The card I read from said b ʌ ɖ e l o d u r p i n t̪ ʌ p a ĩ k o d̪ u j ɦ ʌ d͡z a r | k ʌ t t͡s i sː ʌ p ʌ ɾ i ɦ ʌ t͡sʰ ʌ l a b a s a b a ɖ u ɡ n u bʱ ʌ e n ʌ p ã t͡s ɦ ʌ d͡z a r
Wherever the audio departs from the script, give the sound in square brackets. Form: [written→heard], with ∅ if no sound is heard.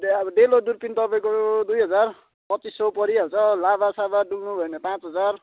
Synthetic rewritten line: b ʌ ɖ e l o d u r p i n t̪ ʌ p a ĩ k o d̪ u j ɦ ʌ d͡z a r | [k→p] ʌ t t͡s i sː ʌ p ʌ ɾ i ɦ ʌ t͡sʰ ʌ l a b a s a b a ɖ u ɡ n u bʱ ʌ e n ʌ p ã t͡s ɦ ʌ d͡z a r

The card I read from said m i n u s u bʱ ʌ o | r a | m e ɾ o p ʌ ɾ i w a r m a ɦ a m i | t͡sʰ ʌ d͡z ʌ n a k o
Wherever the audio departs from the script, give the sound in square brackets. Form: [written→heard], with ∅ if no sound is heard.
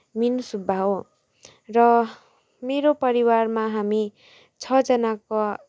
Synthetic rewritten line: m i n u s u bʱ [ʌ→a] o | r [a→ʌ] | m e ɾ o p ʌ ɾ i w a r m a ɦ a m i | t͡sʰ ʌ d͡z ʌ n a k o

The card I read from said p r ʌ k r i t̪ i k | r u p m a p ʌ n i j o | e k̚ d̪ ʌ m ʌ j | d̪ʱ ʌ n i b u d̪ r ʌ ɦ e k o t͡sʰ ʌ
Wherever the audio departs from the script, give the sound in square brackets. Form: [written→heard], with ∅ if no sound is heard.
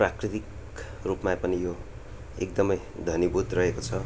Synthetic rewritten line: p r [ʌ→a] k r i t̪ i k | r u p m a p ʌ n i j o | e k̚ d̪ ʌ m ʌ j | d̪ʱ ʌ n i b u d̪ r ʌ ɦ e k o t͡sʰ ʌ

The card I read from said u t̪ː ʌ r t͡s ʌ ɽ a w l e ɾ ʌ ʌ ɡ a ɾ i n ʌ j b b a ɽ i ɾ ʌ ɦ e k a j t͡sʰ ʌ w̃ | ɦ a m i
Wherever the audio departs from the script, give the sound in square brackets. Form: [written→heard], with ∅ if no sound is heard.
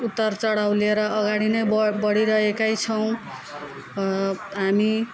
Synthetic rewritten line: u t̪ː ʌ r t͡s ʌ ɽ a w l e ɾ ʌ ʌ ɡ a [ɾ→ɽ] i n ʌ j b b [a→ʌ] ɽ i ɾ ʌ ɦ e k a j t͡sʰ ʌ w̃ | ɦ a m i

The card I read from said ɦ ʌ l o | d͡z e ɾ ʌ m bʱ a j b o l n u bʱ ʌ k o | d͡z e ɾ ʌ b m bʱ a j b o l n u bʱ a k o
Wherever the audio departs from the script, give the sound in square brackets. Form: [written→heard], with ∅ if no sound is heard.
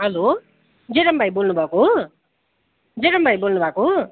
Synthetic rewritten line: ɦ ʌ l o | d͡z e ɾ ʌ m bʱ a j b o l n u bʱ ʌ k o | d͡z e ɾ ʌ [b→∅] m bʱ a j b o l n u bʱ a k o

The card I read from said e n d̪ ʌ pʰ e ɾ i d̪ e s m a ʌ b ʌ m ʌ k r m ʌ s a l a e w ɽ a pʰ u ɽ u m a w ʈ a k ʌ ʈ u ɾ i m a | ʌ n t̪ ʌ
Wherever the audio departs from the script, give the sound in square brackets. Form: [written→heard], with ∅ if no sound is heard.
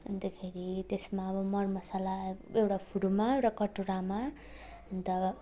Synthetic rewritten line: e n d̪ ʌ [pʰ→kʰ] e ɾ i [d̪→t̪] e s m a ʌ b ʌ m ʌ [k→∅] r m ʌ s a l a e w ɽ a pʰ u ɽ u m a w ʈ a k ʌ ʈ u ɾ [i→a] m a | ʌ n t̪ ʌ

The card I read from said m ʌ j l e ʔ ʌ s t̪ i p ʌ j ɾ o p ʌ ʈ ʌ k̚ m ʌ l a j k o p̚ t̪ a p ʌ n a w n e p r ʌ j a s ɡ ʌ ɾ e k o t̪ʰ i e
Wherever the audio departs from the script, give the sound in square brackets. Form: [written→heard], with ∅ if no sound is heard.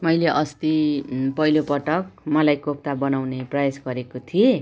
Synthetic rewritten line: m ʌ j l e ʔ ʌ s t̪ i p ʌ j [ɾ→l] o p ʌ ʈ ʌ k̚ m ʌ l a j k o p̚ t̪ a [p→b] ʌ n a w n e p r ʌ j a s ɡ ʌ ɾ e k o t̪ʰ i e

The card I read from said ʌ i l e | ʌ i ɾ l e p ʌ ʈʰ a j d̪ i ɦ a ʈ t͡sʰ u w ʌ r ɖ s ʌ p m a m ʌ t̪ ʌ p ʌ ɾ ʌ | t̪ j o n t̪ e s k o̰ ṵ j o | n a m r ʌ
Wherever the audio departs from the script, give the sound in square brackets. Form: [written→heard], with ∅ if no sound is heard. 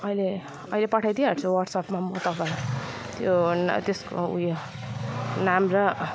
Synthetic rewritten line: ʌ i l e | ʌ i [ɾ→∅] l e p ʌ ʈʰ a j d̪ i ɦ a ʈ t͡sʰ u w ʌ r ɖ s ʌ p m a m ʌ t̪ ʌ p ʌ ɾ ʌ | t̪ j o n t̪ e s k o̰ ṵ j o | n a m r ʌ

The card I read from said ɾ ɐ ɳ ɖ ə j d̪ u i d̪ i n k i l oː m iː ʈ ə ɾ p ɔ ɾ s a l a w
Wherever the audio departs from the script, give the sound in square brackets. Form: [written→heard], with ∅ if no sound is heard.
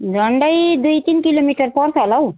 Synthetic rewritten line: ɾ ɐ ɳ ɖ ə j d̪ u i [d̪→t̪] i n k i l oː m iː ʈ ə ɾ p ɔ ɾ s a l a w

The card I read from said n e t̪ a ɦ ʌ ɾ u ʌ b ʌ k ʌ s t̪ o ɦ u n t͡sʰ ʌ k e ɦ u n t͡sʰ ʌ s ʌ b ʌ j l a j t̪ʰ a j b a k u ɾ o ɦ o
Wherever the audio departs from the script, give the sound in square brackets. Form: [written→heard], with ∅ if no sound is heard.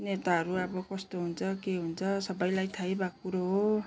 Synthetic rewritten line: n e t̪ a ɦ ʌ ɾ u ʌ b ʌ k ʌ s t̪ o ɦ u n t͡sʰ ʌ k e ɦ u n t͡sʰ ʌ s ʌ b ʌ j l a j t̪ʰ a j b a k u ɾ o ɦ o

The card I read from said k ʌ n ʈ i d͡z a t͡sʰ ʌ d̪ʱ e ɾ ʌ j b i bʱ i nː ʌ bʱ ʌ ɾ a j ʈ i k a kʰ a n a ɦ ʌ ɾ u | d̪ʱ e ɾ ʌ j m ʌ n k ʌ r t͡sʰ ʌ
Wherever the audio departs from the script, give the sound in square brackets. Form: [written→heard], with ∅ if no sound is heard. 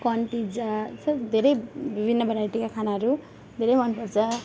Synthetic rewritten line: k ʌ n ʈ i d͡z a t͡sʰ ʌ d̪ʱ e ɾ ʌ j b i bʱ i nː ʌ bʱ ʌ ɾ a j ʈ i k a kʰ a n a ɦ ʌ ɾ u | d̪ʱ e ɾ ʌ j m ʌ n [k→p] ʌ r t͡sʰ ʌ

